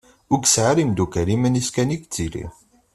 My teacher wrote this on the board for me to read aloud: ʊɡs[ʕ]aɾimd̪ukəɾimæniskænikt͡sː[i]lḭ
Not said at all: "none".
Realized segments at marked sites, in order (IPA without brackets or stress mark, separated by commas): ʕ, i